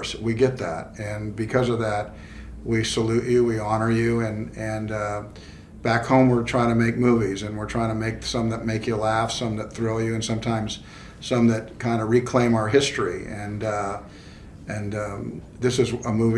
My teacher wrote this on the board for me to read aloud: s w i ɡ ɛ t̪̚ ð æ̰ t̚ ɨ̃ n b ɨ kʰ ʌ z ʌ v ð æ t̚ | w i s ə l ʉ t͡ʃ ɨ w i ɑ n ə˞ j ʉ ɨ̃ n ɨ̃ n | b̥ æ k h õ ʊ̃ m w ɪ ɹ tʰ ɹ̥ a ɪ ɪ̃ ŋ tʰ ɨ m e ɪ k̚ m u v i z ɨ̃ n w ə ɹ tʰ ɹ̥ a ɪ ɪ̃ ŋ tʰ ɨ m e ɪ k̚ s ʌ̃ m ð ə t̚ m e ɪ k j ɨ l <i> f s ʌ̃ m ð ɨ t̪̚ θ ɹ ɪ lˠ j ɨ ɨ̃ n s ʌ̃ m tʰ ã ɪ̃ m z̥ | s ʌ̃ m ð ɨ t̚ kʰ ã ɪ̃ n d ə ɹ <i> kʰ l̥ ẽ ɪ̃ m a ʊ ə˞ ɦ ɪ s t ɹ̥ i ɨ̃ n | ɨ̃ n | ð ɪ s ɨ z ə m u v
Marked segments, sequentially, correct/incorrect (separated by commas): incorrect, correct